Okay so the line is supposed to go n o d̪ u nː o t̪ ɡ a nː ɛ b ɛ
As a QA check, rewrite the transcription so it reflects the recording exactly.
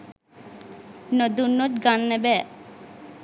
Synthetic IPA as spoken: n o d̪ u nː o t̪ ɡ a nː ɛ b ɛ

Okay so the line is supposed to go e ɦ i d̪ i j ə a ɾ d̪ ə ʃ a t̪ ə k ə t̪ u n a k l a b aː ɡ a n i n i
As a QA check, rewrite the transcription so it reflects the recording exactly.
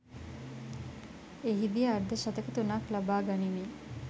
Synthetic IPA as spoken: e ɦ i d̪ i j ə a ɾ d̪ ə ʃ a t̪ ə k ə t̪ u n a k l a b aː ɡ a n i m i

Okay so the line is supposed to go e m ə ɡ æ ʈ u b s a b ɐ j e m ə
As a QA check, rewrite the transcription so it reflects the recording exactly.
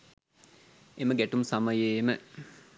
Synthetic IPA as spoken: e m ə ɡ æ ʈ u m s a m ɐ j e m ə

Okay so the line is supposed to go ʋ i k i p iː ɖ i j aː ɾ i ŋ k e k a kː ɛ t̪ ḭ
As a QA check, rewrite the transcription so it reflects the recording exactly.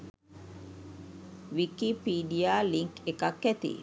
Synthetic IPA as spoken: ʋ i k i p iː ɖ i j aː l i ŋ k e k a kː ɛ t̪ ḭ

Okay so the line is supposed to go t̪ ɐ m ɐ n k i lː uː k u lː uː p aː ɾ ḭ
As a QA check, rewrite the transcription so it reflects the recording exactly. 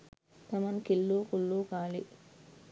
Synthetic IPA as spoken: t̪ ɐ m ɐ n k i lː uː k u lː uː k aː l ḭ

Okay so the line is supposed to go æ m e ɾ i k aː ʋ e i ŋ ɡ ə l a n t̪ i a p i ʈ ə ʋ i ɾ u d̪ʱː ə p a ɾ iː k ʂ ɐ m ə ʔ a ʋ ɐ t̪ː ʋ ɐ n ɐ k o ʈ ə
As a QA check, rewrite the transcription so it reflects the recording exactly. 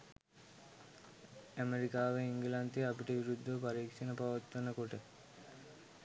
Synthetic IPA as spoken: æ m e ɾ i k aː ʋ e i ŋ ɡ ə l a n t̪ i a p i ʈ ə ʋ i ɾ u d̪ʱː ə p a ɾ iː k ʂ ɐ n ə p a ʋ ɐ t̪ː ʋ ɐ n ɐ k o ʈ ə

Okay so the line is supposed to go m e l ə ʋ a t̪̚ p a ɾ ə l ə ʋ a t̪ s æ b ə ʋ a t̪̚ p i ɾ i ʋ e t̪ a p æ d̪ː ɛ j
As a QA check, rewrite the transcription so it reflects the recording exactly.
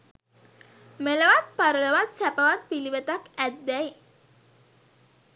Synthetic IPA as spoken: m e l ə ʋ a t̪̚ p a ɾ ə l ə ʋ a t̪ s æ p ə ʋ a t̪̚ p i l i ʋ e t̪ a k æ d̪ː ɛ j

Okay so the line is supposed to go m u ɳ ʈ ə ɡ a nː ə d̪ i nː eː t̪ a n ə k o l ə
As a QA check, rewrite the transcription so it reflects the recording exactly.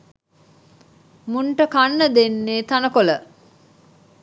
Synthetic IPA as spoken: m u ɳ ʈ ə k a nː ə d̪ e nː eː t̪ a n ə k o l ə

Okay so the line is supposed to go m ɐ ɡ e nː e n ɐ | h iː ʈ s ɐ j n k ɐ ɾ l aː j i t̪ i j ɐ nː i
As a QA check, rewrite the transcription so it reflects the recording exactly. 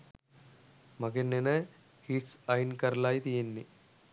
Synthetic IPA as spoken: m ɐ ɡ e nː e n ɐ | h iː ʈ s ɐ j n k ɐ ɾ l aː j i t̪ i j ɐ nː i

